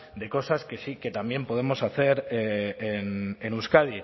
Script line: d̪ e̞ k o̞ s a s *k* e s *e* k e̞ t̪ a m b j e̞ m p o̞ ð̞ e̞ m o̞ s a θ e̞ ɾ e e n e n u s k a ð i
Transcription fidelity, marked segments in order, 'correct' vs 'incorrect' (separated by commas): correct, incorrect